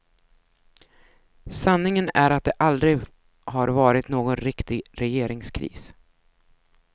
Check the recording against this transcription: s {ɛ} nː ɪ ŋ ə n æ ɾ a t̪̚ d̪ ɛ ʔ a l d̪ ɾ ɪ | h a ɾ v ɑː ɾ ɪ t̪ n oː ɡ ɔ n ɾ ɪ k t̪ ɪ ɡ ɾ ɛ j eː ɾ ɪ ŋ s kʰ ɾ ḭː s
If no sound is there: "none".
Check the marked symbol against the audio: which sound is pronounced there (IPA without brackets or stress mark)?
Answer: a